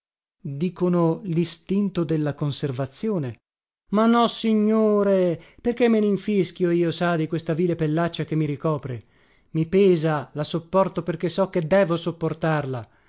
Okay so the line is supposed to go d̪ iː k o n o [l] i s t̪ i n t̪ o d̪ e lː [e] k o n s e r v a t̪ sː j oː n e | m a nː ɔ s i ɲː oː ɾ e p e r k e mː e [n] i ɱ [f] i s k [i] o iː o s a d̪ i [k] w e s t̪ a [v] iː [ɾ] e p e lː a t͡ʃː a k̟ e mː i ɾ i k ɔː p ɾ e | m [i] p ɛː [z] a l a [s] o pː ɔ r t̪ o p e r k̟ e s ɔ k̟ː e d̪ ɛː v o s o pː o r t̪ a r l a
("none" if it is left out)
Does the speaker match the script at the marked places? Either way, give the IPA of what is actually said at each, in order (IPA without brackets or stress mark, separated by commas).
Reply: l, a, n, f, j, k, v, l, i, z, s